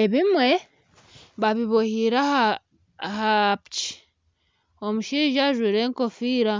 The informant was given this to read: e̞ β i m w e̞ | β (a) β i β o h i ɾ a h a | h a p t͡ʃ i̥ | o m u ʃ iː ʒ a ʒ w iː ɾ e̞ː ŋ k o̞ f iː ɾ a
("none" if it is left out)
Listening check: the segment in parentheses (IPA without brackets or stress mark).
a